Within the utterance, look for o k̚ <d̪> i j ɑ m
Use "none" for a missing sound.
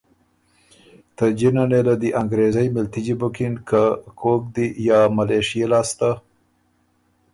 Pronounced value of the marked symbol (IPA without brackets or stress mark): d̪